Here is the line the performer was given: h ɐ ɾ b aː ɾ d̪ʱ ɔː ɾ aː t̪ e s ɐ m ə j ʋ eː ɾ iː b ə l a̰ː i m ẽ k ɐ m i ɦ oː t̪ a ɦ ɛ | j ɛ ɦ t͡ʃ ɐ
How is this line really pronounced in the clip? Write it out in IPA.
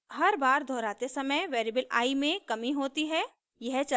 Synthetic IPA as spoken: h ɐ ɾ b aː ɾ d̪ʱ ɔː ɾ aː t̪ e s ɐ m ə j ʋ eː ɾ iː b ə l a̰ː i m ẽ k ɐ m i ɦ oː t̪ i ɦ ɛ | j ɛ ɦ t͡ʃ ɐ